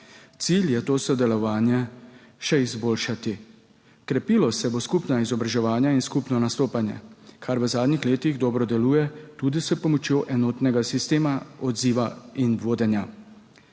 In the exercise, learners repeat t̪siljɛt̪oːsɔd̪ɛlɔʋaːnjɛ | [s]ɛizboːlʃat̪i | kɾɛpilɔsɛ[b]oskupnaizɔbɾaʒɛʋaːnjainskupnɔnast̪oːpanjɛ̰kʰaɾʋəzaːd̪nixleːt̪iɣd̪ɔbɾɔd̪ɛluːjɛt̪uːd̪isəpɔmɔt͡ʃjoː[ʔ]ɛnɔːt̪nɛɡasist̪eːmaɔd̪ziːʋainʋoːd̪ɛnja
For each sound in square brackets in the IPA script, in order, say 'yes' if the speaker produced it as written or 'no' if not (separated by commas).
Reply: no, yes, yes